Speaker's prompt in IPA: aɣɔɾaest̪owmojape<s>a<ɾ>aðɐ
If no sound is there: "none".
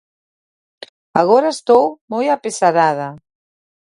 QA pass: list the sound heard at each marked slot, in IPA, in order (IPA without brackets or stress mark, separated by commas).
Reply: s, ɾ